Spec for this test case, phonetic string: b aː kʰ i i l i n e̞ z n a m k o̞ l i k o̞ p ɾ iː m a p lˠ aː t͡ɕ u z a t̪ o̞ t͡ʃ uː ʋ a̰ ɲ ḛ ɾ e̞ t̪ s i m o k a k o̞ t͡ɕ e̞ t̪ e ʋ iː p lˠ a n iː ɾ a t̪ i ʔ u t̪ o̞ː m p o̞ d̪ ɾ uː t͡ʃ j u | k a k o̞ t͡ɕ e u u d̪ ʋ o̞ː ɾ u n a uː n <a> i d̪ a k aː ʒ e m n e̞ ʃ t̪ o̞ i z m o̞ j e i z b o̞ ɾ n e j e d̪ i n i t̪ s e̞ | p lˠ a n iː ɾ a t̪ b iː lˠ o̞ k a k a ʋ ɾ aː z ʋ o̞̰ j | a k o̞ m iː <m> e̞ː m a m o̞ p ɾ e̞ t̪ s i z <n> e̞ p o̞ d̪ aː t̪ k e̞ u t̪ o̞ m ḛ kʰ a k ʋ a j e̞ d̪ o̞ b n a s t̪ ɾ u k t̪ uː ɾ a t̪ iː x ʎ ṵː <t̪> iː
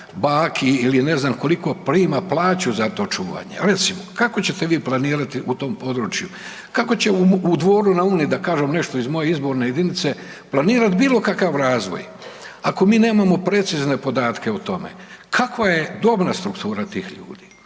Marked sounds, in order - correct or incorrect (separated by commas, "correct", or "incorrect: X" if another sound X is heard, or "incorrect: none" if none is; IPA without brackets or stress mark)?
incorrect: i, incorrect: n, correct, incorrect: d̪